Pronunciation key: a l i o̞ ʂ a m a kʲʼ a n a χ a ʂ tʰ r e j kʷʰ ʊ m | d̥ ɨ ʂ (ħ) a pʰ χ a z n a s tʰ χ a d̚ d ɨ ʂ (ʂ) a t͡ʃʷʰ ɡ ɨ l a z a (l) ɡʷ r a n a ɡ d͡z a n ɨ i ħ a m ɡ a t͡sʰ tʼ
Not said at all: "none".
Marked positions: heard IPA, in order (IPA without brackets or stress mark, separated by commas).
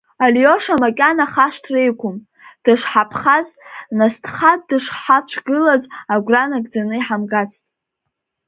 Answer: ħ, ħ, none